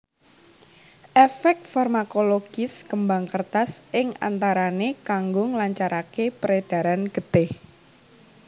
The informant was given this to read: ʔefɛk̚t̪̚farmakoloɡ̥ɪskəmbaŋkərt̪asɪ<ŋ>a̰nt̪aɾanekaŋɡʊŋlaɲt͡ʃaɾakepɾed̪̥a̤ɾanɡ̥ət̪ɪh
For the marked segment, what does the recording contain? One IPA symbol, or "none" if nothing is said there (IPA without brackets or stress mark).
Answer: ŋ